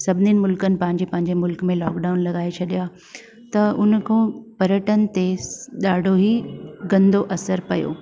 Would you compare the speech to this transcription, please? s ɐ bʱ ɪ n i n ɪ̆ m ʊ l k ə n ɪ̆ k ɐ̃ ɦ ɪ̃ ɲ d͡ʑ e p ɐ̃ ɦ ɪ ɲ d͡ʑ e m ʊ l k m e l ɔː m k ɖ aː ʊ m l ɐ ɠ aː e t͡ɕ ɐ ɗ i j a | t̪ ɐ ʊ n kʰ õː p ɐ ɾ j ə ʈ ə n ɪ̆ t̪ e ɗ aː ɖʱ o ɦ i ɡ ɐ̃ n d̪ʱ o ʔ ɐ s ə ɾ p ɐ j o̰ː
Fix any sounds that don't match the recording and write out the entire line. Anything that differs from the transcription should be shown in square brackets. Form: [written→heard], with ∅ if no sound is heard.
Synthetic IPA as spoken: s ɐ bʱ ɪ n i n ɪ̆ m ʊ l k ə n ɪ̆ [k→p] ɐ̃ ɦ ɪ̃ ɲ d͡ʑ e p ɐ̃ ɦ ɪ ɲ d͡ʑ e m ʊ l k m [e→ẽ] l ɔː [m→∅] k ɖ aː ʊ [m→n] l ɐ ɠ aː e [t͡ɕ→t͡ɕʰ] ɐ ɗ i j a | t̪ ɐ ʊ n kʰ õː p ɐ ɾ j ə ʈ ə n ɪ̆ t̪ e ɗ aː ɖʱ o ɦ i ɡ ɐ̃ n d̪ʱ o ʔ ɐ s ə ɾ p ɐ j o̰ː